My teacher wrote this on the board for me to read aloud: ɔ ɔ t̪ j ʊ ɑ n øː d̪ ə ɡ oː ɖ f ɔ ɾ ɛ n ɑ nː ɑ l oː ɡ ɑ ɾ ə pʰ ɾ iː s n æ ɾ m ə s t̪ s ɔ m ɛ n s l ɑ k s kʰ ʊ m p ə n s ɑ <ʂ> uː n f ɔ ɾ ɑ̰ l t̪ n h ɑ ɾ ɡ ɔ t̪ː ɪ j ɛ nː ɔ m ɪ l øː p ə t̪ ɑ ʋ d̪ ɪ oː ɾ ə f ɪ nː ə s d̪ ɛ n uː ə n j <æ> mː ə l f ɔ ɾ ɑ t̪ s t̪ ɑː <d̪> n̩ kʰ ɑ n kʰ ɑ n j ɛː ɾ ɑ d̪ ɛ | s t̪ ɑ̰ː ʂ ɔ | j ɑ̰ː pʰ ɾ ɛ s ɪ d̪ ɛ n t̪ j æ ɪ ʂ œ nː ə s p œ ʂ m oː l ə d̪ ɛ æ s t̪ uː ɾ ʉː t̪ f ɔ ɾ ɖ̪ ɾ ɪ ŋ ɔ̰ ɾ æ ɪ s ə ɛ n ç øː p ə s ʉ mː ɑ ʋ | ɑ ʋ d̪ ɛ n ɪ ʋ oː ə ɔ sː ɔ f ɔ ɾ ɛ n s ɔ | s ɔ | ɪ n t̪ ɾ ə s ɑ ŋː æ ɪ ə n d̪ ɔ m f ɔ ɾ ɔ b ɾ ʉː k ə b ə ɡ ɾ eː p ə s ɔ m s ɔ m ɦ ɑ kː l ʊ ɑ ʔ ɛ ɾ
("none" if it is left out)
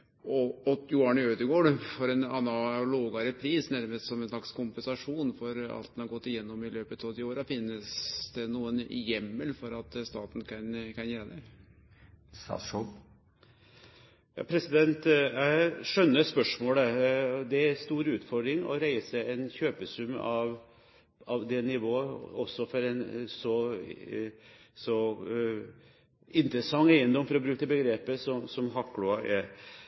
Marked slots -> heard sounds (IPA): ʂ, ɛ, t̪

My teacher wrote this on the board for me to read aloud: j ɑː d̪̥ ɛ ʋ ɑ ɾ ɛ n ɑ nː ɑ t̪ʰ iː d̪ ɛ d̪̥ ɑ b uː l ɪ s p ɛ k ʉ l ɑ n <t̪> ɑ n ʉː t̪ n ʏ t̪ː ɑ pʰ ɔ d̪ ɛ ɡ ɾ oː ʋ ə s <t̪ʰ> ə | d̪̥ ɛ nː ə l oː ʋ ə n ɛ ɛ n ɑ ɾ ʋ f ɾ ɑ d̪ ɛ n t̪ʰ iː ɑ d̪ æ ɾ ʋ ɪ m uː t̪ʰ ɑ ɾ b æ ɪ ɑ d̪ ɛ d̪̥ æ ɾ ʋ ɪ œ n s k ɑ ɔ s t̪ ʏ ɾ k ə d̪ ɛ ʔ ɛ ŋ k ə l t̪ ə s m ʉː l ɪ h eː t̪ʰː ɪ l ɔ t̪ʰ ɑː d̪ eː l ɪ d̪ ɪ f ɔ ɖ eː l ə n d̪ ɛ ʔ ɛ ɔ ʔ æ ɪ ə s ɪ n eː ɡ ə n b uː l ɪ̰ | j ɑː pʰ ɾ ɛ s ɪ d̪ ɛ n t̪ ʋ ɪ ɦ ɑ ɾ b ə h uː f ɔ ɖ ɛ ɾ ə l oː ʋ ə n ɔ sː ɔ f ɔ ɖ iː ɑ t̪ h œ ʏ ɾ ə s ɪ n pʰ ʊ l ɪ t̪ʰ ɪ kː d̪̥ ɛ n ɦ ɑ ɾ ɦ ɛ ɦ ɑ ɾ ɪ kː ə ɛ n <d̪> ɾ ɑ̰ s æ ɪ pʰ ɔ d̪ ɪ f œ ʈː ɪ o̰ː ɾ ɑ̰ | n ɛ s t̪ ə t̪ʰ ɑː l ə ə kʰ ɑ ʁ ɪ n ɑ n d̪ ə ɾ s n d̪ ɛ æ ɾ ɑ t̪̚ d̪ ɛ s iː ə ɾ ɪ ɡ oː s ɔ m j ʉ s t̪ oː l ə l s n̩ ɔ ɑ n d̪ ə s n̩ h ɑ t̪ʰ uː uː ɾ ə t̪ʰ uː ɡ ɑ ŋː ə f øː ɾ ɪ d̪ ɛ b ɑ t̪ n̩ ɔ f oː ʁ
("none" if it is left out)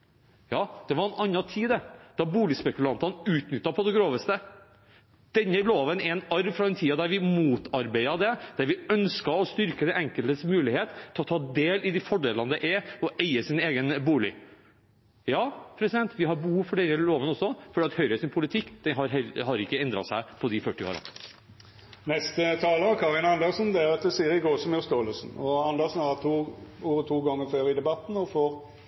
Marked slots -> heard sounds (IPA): t̪, t̪, d̪

